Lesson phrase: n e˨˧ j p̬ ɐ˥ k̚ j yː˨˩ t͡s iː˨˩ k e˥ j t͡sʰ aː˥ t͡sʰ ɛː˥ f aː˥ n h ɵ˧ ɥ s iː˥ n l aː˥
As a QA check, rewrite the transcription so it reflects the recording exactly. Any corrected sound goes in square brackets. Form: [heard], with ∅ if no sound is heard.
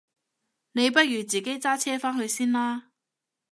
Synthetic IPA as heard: n e˨˧ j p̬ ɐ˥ [t̚] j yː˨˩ t͡s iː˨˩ k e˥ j [t͡s] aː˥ t͡sʰ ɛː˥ f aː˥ n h ɵ˧ ɥ s iː˥ n l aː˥